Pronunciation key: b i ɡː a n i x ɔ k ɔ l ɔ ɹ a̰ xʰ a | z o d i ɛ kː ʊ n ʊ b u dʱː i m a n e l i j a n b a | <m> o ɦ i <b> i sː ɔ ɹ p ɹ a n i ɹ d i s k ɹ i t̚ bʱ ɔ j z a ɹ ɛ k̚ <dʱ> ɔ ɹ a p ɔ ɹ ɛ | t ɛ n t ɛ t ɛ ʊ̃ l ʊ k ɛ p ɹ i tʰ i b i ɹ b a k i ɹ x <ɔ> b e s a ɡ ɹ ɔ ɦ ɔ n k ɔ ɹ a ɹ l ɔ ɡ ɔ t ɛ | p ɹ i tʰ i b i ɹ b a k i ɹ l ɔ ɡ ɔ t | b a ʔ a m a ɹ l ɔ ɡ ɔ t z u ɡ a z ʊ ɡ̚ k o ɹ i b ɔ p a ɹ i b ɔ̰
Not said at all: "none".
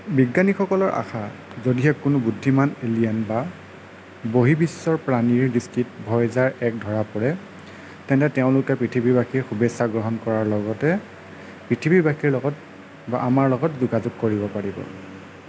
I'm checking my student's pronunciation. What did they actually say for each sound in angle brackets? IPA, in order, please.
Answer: b, b, dʱ, u

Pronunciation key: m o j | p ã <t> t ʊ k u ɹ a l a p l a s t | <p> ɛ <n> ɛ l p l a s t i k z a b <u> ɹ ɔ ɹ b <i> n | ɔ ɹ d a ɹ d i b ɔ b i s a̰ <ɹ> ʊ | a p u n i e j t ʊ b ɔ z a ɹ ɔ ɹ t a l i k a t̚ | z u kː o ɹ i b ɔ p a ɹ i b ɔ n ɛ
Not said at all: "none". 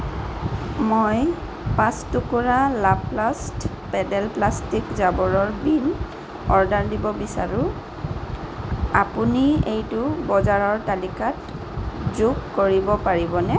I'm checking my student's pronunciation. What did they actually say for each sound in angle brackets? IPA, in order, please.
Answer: s, p, d, ɔ, i, ɹ

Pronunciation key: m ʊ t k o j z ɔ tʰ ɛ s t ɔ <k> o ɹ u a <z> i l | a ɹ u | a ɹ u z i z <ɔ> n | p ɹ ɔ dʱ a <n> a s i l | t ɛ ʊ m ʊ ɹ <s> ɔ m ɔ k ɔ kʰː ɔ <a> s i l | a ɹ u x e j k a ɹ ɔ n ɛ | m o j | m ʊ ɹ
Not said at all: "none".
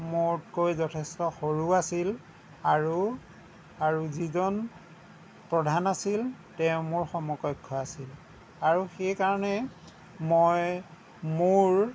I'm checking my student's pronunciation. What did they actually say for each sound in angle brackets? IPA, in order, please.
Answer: x, s, ɔ, n, x, a

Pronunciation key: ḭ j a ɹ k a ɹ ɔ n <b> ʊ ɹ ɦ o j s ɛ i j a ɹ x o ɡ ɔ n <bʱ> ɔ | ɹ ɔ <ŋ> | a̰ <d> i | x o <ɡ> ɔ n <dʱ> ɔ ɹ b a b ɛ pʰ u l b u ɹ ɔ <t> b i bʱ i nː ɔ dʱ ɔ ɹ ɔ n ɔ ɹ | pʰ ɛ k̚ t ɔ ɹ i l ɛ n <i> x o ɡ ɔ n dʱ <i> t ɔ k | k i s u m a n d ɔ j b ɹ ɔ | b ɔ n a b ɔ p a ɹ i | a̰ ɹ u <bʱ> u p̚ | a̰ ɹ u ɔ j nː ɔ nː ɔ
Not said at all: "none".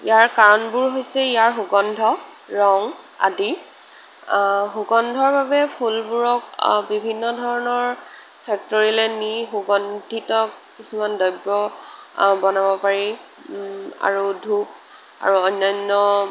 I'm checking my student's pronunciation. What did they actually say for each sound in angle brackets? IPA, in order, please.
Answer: b, dʱ, ŋ, d, ɡ, dʱ, k, i, i, dʱ

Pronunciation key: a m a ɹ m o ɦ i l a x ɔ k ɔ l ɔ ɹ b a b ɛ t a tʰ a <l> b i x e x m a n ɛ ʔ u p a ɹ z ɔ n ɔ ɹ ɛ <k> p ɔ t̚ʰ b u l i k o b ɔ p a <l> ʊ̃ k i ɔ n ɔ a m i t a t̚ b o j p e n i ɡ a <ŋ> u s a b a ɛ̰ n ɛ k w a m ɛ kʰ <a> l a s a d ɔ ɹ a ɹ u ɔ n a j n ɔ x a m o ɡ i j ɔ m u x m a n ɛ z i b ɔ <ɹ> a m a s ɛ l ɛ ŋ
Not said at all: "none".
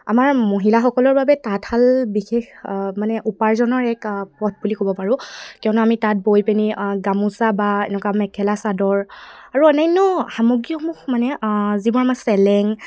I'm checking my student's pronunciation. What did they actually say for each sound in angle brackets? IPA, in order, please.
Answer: l, k, ɹ, m, ɛ, ɹ

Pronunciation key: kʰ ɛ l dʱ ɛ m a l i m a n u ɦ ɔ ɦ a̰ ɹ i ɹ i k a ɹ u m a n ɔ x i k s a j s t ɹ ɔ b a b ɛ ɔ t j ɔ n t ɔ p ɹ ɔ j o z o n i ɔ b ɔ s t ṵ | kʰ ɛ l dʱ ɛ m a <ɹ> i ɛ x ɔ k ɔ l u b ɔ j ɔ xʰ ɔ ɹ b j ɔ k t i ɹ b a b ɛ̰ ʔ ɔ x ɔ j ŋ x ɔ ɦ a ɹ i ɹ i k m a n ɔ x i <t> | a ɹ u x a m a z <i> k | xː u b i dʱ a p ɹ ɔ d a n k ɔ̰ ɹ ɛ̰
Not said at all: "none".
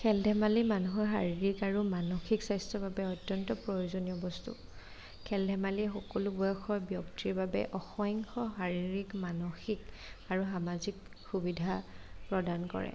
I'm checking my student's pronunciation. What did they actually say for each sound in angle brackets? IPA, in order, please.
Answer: l, k, i

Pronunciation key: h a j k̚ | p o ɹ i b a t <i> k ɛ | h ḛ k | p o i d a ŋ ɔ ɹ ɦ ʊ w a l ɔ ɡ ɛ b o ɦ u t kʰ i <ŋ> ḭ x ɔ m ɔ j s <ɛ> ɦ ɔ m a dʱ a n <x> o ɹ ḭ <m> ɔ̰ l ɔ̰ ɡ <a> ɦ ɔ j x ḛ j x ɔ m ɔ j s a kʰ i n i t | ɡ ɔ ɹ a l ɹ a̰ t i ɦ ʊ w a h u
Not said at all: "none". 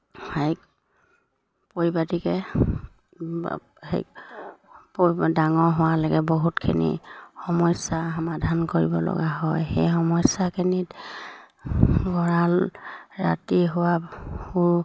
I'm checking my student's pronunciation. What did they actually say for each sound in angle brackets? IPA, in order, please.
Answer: i, n, a, k, b, a

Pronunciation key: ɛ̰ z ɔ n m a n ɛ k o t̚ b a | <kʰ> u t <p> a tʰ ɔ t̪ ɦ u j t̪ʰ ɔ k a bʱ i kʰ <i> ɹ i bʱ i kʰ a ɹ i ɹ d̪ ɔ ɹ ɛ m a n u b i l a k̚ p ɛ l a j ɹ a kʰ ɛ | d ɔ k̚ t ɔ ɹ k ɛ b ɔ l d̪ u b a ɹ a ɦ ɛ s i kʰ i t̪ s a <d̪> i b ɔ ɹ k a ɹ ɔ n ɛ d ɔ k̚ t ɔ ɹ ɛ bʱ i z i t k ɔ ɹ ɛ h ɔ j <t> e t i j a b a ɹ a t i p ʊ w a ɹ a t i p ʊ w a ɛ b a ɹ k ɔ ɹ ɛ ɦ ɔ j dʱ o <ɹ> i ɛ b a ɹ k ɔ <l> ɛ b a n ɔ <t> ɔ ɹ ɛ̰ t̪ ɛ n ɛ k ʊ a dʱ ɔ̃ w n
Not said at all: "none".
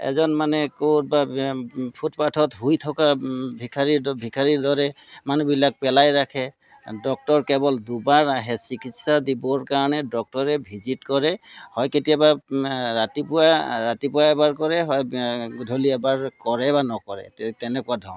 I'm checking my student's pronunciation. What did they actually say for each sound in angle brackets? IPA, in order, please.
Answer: pʰ, p, a, d̪, k, l, ɹ, k

